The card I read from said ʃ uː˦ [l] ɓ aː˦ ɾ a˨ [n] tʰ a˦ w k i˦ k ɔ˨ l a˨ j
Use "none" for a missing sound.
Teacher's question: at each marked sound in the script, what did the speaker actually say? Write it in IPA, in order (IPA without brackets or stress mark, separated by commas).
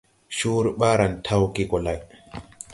ɾ, n